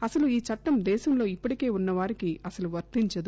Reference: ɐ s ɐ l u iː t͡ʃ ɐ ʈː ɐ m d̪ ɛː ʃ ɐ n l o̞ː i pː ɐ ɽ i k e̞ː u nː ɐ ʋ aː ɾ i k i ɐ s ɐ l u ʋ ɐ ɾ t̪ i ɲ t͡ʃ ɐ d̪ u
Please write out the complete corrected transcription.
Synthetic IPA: ɐ s ɐ l u iː t͡ʃ ɐ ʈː ɐ m d̪ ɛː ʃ ɐ m l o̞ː i pː ɐ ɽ i k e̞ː u nː ɐ ʋ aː ɾ i k i ɐ s ɐ l u ʋ ɐ ɾ t̪ i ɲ t͡ʃ ɐ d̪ u